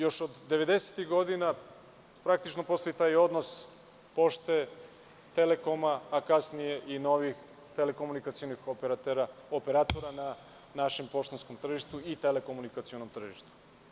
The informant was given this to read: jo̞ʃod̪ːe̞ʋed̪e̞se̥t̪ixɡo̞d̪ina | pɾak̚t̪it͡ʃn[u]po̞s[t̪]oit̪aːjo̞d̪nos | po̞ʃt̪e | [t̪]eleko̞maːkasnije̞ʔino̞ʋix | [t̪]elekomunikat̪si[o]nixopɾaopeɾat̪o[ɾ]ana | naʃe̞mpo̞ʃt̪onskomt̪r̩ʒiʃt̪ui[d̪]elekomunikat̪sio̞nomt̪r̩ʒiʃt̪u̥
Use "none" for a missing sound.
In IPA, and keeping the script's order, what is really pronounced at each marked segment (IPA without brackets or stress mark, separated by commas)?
o, t̪, t̪, t̪, o, ɾ, t̪